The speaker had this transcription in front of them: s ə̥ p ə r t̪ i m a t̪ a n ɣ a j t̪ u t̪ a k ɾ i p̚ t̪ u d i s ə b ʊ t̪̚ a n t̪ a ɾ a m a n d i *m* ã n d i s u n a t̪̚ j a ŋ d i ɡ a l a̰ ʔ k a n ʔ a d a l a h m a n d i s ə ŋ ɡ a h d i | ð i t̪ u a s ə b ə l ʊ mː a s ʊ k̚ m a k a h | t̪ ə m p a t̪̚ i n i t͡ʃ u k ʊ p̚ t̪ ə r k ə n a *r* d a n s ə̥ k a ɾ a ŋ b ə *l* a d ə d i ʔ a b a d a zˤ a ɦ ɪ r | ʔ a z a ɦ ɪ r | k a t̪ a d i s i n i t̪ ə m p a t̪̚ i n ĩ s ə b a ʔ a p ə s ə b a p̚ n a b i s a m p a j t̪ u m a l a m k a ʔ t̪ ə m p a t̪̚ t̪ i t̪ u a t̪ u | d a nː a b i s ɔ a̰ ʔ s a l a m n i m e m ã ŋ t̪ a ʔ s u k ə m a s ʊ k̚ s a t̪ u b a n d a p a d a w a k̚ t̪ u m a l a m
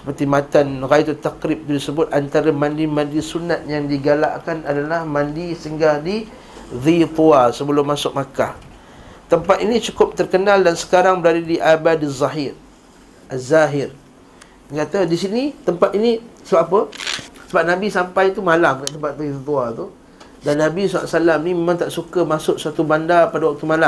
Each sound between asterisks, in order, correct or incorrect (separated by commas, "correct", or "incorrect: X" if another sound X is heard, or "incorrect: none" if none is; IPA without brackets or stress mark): correct, incorrect: l, incorrect: ɾ